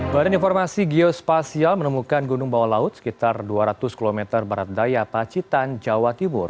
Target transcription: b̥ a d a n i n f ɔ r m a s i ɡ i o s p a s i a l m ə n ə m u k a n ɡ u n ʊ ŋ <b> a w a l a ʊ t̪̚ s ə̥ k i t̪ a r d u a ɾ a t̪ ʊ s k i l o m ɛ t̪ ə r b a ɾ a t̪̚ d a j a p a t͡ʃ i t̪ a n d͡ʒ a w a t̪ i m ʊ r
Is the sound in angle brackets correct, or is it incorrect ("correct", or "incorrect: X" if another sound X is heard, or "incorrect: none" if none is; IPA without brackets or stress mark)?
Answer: correct